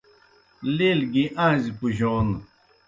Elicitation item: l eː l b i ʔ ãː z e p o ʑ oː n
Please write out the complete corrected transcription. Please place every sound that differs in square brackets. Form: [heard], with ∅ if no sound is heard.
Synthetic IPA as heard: l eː l [ɡ] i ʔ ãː z [i] p [u] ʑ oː n